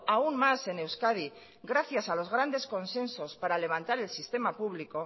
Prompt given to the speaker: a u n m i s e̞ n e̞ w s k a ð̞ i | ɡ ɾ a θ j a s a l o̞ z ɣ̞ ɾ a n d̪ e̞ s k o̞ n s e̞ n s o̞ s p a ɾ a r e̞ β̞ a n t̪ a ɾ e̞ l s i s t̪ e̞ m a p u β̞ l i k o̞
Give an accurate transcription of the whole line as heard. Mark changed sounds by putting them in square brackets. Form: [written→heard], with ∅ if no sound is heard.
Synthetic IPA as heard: a u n m [i→a] s e̞ n e̞ w s k a ð̞ i | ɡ ɾ a θ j a s a l o̞ z ɣ̞ ɾ a n d̪ e̞ s k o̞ n s e̞ n s o̞ s p a ɾ a [r→l] e̞ β̞ a n t̪ a ɾ e̞ l s i s t̪ e̞ m a p u β̞ l i k o̞

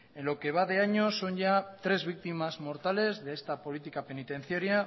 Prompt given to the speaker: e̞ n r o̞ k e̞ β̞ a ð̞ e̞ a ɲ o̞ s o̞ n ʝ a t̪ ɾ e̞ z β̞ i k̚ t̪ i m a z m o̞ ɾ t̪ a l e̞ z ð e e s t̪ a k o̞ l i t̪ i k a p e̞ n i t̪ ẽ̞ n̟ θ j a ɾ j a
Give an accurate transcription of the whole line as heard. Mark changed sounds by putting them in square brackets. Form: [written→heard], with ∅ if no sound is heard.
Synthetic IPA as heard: e̞ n [r→l] o̞ k e̞ β̞ a ð̞ e̞ a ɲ o̞ s o̞ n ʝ a t̪ ɾ e̞ z β̞ i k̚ t̪ i m a z m o̞ ɾ t̪ a l e̞ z ð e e s t̪ a [k→p] o̞ l i t̪ i k a p e̞ n i t̪ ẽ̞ n̟ θ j a ɾ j a

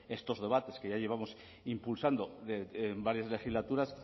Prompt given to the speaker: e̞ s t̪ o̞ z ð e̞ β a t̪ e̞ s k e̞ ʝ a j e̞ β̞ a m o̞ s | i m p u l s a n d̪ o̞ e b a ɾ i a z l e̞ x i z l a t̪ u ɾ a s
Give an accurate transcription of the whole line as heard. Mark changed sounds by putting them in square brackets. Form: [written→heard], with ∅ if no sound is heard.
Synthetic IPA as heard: e̞ s t̪ o̞ z ð e̞ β a t̪ e̞ s k e̞ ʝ a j e̞ β̞ a m o̞ s | i m p u l s a n d̪ o̞ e b a ɾ [i→j] a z l e̞ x i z l a t̪ u ɾ a s

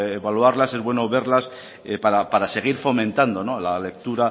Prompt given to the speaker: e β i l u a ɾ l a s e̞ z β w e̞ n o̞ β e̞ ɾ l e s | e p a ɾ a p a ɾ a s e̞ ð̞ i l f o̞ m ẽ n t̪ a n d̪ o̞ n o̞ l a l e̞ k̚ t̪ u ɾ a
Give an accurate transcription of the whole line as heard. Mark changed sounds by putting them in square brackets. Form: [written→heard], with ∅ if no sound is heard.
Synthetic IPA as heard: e β [i→a] l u a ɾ l a s e̞ z β w e̞ n o̞ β e̞ ɾ l [e→a] s | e p a ɾ a p a ɾ a s e̞ [ð̞→ɣ̞] i [l→ɾ] f o̞ m ẽ n t̪ a n d̪ o̞ n o̞ l a l e̞ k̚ t̪ u ɾ a

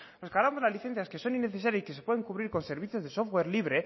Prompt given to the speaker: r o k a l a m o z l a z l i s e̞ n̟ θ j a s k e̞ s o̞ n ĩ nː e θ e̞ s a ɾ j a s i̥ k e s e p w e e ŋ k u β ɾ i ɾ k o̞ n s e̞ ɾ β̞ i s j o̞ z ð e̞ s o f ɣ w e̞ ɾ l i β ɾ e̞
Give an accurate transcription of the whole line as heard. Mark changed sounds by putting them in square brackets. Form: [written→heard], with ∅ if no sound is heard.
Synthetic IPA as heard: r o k a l a m o z l a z l i [s→θ] e̞ n̟ θ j a s k e̞ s o̞ n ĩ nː e θ e̞ s a ɾ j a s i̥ k e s e p w e e ŋ k u β ɾ i ɾ k o̞ n s e̞ ɾ β̞ i [s→θ] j o̞ z ð e̞ s o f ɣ w e̞ ɾ l i β ɾ e̞

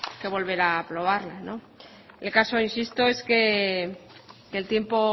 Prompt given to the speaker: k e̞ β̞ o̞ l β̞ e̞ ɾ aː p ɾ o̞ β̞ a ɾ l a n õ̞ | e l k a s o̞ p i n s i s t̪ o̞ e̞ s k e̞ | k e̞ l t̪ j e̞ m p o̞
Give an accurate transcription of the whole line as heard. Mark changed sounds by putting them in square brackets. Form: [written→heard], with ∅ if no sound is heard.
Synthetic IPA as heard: k e̞ β̞ o̞ l β̞ e̞ ɾ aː p ɾ o̞ β̞ a ɾ l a n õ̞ | e l k a s o̞ [p→∅] i n s i s t̪ o̞ e̞ s k e̞ | k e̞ l t̪ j e̞ m p o̞

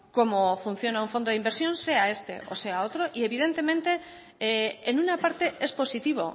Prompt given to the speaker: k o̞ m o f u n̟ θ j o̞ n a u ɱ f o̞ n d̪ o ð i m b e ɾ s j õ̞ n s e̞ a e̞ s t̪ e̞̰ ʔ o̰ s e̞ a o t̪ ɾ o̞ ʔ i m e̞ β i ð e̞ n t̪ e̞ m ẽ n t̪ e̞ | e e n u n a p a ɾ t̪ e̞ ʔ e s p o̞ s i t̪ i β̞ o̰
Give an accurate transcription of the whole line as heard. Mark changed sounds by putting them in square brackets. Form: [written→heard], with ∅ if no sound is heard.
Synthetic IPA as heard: k o̞ m o f u n̟ θ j o̞ n a u ɱ f o̞ n d̪ o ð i m b e ɾ s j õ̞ n s e̞ a e̞ s t̪ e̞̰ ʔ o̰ s e̞ a o t̪ ɾ o̞ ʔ i [m→∅] e̞ β i ð e̞ n t̪ e̞ m ẽ n t̪ e̞ | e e n u n a p a ɾ t̪ e̞ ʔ e s p o̞ s i t̪ i β̞ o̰

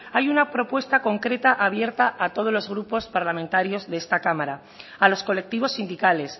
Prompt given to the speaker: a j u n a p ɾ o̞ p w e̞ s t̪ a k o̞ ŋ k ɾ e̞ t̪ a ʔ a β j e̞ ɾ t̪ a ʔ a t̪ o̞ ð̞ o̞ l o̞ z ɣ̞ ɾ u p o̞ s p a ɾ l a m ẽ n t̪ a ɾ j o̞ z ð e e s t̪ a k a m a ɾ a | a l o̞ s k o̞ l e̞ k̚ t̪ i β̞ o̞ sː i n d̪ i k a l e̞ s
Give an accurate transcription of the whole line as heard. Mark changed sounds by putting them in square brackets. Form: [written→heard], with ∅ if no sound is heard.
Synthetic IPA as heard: a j u n a p ɾ o̞ p w e̞ s t̪ a k o̞ ŋ k ɾ e̞ t̪ a ʔ a β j e̞ ɾ t̪ a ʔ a t̪ o̞ ð̞ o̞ l o̞ z ɣ̞ ɾ u p o̞ s p a ɾ l a m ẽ n t̪ a ɾ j o̞ z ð e e s t̪ a k a m a ɾ a | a l o̞ s k o̞ l e̞ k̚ t̪ i β̞ o̞ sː i n d̪ i k a l e̞ s

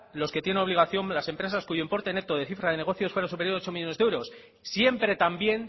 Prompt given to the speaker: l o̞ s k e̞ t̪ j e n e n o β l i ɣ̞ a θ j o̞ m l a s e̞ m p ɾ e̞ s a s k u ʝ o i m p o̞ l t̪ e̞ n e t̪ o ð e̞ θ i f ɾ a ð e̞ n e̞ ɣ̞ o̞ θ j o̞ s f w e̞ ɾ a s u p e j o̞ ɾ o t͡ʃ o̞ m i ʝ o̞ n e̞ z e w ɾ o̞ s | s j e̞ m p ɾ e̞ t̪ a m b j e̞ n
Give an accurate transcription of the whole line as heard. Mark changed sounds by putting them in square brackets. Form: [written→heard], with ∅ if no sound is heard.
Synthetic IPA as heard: l o̞ s k e̞ t̪ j e n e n o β l i ɣ̞ a θ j o̞ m l a s e̞ m p ɾ e̞ s a s k u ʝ o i m p o̞ [l→ɾ] t̪ e̞ n e t̪ o ð e̞ θ i f ɾ a ð e̞ n e̞ ɣ̞ o̞ θ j o̞ s f w e̞ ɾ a s u p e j o̞ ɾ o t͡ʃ o̞ m i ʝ o̞ n e̞ z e w ɾ o̞ s | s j e̞ m p ɾ e̞ t̪ a m b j e̞ n

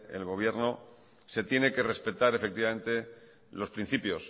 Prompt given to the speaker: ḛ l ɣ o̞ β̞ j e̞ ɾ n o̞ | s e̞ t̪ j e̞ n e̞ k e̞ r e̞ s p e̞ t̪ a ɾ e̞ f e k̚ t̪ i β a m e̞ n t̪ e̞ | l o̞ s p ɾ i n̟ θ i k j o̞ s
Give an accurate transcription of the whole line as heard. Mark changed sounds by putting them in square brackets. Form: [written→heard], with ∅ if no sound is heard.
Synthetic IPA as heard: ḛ l ɣ o̞ β̞ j e̞ ɾ n o̞ | s e̞ t̪ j e̞ n e̞ k e̞ r e̞ s p e̞ t̪ a ɾ e̞ f e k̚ t̪ i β a m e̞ n t̪ e̞ | l o̞ s p ɾ i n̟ θ i [k→p] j o̞ s

